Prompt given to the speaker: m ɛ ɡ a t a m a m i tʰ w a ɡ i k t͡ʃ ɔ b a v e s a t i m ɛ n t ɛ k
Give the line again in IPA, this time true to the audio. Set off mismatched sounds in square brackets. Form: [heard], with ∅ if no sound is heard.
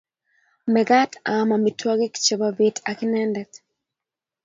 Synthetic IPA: m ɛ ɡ a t a m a m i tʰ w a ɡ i k t͡ʃ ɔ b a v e [t] a [k] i [n] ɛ n [d] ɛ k